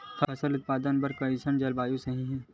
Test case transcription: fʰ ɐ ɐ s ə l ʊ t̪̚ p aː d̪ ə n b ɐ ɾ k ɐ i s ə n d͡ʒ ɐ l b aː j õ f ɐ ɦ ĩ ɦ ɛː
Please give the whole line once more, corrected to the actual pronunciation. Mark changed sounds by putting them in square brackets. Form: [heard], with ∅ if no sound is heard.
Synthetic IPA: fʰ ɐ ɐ s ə l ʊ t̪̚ p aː d̪ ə n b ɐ ɾ k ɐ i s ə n d͡ʒ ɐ l b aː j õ [s] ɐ ɦ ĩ ɦ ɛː